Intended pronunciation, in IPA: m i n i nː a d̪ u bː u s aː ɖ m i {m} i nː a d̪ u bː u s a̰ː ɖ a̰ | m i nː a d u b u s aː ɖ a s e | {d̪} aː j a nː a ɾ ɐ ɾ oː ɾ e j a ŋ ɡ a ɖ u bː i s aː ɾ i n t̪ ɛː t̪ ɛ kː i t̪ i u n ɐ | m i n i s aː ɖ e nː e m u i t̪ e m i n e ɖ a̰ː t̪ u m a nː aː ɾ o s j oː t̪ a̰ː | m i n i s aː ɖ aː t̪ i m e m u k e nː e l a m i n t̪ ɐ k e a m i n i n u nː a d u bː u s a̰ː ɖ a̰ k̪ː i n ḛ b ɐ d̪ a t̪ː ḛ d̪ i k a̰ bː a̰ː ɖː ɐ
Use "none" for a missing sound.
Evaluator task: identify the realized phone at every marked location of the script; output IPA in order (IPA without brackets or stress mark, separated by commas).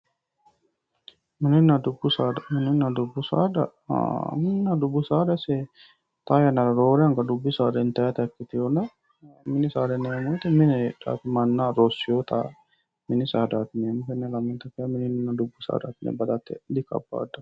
n, t̪